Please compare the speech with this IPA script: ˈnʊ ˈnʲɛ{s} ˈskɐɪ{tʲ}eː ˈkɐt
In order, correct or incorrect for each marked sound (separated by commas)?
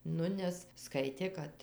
correct, correct